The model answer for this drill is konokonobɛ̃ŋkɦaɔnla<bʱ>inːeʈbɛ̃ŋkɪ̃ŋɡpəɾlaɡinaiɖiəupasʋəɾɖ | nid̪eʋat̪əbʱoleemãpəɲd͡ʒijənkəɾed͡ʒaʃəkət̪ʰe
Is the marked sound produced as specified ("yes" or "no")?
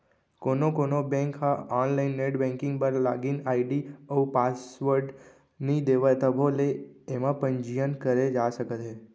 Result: no